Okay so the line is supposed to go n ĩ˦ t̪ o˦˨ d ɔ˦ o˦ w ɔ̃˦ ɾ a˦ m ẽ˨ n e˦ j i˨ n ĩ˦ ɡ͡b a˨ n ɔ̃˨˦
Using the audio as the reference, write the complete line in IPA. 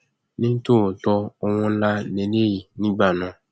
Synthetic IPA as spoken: n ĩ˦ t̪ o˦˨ t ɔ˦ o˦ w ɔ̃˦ l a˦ n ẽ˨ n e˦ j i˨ n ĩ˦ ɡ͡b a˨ n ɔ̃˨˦